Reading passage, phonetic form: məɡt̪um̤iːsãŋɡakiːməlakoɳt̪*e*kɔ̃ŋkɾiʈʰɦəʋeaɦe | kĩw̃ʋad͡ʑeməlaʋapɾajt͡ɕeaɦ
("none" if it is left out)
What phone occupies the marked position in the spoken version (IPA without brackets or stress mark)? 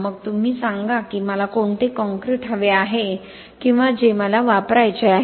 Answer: e